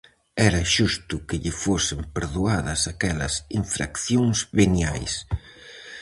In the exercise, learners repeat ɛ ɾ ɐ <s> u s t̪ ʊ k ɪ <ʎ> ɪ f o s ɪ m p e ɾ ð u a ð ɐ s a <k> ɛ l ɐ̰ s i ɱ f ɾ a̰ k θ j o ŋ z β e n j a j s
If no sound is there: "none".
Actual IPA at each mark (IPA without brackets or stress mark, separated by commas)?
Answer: ʃ, ʎ, k